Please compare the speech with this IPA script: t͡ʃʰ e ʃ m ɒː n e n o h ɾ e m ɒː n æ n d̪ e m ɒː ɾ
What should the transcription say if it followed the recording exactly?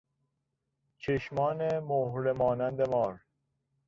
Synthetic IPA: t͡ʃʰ e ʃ m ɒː n e m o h ɾ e m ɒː n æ n d̪ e m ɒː ɾ